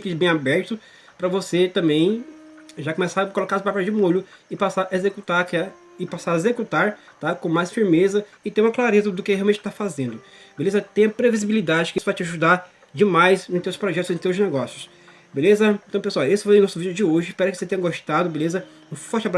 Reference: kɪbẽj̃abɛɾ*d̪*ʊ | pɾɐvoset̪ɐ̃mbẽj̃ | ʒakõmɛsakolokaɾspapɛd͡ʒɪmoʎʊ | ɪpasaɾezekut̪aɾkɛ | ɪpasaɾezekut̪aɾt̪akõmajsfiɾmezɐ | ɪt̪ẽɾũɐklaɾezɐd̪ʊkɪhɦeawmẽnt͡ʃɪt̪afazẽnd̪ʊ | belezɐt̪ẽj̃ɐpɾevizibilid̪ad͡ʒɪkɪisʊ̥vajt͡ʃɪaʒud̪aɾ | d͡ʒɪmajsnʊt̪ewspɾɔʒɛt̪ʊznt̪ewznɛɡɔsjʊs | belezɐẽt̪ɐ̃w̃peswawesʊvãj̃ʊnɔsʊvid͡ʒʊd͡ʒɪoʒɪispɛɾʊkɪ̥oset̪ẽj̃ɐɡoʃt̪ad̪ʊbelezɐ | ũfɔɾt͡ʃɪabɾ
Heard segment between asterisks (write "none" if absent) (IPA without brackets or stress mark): t̪